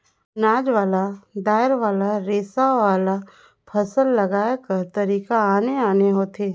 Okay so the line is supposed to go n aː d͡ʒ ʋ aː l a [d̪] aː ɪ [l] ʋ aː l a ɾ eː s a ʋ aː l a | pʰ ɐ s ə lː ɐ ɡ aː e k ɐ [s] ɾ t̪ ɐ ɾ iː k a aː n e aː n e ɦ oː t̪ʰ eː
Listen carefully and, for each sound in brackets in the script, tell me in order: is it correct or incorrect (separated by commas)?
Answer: correct, incorrect, incorrect